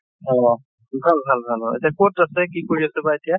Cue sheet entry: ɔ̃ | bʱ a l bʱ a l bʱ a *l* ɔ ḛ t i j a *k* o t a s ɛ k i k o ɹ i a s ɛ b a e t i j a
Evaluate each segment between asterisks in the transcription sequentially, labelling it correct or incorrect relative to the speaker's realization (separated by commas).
correct, correct